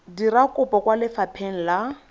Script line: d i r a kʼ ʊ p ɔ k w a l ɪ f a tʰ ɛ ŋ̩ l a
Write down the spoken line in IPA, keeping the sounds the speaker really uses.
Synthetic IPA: d i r a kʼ ʊ p ɔ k w a l ɪ f a pʰ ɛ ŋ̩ l a